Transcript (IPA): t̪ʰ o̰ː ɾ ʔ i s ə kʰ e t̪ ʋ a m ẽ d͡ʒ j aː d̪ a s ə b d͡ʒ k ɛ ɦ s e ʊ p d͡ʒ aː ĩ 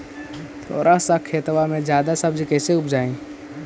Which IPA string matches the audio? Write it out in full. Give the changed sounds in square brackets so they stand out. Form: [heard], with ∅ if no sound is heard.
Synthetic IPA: t̪ʰ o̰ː ɾ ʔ [a] s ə kʰ e t̪ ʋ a m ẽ d͡ʒ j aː d̪ a s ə b d͡ʒ k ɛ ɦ s e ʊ p d͡ʒ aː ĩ